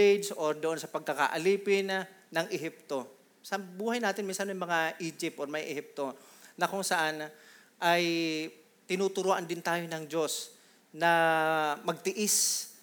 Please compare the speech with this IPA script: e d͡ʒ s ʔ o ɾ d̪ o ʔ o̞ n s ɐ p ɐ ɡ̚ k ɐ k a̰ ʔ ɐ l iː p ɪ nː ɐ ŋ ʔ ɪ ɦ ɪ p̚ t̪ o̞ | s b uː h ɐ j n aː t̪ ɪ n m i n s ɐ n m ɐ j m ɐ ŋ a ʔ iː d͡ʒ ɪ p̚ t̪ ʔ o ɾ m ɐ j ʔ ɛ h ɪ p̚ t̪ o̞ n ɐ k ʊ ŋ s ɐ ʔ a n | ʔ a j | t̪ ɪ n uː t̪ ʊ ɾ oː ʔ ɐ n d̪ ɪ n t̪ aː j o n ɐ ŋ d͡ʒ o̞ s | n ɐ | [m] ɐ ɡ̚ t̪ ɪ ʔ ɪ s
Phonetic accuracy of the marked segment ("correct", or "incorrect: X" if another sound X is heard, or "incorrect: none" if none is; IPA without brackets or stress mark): correct